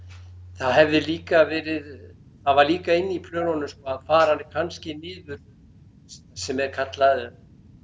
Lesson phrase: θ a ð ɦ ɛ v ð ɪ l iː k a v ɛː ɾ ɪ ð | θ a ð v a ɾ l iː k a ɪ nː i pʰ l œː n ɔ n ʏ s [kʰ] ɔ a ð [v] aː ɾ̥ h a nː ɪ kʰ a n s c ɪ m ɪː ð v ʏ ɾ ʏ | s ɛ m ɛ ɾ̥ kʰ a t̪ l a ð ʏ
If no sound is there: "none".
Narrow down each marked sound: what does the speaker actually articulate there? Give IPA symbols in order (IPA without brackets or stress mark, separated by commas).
k, f